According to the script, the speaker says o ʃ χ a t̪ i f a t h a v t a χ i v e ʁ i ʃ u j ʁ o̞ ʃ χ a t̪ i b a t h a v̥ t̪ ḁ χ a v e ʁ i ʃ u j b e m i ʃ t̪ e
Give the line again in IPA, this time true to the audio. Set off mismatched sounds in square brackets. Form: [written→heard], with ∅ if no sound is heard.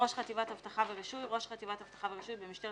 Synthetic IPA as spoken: o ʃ χ a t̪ i [f→v] a t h a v t a χ [i→a] v e ʁ i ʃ u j ʁ o̞ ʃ χ a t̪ i [b→v] a t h a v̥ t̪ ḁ χ a v e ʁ i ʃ u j b e m i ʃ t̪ e